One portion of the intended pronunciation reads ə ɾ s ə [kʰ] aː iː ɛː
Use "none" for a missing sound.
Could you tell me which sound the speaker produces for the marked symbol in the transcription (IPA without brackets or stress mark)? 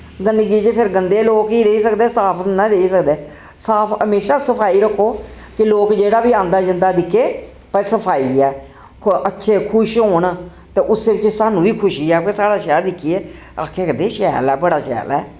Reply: pʰ